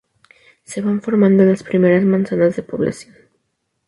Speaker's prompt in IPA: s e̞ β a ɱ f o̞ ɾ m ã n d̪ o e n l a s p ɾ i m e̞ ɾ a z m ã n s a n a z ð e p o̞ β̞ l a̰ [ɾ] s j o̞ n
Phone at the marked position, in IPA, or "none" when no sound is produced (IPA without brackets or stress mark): none